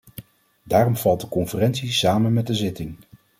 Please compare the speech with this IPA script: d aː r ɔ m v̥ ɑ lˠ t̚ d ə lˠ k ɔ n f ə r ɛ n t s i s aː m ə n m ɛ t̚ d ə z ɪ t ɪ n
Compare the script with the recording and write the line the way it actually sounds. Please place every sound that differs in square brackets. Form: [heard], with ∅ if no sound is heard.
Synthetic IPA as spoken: d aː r ɔ m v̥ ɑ lˠ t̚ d ə [∅] k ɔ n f ə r ɛ n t s i s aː m ə n m ɛ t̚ d ə z ɪ t ɪ [ŋ]